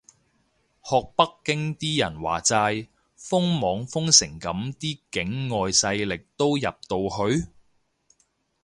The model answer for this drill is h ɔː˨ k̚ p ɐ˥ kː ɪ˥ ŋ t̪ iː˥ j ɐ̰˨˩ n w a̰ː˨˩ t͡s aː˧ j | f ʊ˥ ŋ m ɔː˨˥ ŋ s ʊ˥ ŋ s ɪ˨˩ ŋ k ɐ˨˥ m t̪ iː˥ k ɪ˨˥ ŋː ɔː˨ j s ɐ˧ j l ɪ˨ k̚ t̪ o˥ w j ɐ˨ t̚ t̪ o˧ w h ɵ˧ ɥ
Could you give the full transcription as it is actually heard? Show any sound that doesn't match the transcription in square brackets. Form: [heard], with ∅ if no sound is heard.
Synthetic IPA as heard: h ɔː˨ k̚ p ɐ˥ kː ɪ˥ ŋ t̪ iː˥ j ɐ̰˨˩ n w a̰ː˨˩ t͡s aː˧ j | f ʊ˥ ŋ m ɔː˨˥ ŋ [f] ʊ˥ ŋ s ɪ˨˩ ŋ k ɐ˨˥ m t̪ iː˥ k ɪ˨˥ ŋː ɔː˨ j s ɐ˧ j l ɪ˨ k̚ t̪ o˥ w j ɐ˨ [p̚] t̪ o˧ w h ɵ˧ ɥ